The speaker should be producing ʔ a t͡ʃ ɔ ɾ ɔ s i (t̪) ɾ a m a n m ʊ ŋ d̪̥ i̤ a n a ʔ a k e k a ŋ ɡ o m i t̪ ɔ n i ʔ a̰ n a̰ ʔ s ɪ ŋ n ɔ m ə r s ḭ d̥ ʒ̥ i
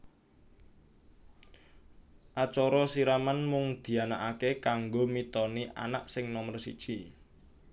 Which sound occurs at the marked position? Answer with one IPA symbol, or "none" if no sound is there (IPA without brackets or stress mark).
none